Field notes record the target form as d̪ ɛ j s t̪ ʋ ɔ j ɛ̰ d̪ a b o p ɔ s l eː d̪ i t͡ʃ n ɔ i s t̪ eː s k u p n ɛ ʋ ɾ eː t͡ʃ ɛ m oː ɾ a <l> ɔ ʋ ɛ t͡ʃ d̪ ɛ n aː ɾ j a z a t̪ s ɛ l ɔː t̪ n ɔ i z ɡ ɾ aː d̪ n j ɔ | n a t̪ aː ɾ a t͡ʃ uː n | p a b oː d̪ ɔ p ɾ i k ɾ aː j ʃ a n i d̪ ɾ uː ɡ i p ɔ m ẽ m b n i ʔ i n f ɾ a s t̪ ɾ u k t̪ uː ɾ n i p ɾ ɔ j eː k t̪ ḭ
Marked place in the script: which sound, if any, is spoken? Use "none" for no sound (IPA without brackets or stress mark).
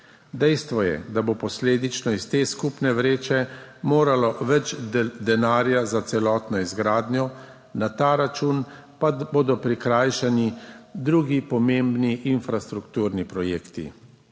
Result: l